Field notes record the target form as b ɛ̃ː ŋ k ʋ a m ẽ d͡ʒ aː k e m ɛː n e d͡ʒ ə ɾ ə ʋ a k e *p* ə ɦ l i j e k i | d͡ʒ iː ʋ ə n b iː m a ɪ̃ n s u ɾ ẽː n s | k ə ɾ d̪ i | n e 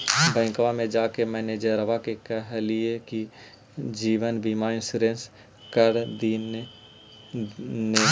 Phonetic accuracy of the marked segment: incorrect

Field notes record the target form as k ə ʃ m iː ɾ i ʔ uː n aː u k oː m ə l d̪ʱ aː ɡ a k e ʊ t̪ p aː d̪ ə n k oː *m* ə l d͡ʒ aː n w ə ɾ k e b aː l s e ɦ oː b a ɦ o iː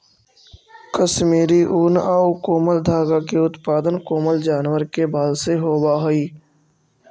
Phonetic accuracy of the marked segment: correct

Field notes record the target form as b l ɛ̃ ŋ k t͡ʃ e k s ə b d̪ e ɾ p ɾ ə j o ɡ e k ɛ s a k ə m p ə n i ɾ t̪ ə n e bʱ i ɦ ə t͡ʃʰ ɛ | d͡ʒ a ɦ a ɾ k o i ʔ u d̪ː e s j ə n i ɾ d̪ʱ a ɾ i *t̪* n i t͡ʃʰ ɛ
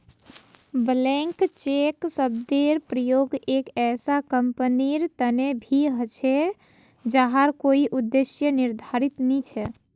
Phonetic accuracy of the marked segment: correct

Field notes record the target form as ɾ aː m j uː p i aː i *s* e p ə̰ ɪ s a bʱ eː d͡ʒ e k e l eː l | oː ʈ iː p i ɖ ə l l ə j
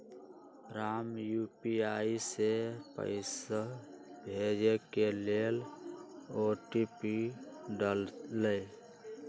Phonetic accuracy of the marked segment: correct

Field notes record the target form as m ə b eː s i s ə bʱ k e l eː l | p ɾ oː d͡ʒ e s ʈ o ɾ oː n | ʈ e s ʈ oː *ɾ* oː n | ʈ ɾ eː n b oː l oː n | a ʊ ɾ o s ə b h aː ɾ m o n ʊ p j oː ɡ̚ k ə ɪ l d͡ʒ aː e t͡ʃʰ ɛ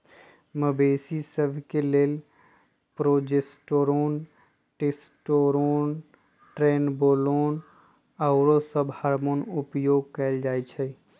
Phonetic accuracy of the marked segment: correct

